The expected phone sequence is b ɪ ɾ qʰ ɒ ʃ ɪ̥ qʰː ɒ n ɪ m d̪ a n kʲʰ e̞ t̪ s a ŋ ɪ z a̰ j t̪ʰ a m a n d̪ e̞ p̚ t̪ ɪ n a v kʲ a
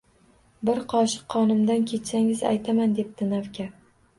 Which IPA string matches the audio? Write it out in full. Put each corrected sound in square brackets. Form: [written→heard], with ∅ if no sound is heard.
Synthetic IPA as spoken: b ɪ ɾ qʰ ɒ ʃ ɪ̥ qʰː ɒ n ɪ m d̪ a n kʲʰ e̞ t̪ s a ŋ ɪ z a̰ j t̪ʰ a m a n d̪ e̞ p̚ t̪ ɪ n a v kʲ a